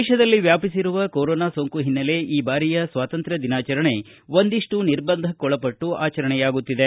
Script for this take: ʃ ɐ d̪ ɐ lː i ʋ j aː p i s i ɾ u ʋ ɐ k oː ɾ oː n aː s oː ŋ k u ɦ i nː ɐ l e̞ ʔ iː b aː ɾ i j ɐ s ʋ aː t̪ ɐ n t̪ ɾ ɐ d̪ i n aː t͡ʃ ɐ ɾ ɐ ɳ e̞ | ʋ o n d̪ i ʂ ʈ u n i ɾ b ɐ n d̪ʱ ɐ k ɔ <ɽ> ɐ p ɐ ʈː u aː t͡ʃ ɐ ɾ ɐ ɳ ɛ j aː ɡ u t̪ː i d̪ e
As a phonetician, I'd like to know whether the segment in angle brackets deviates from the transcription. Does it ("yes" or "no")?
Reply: yes